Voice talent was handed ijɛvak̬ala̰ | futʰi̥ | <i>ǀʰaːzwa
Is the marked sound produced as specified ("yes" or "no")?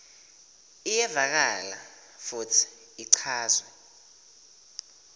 yes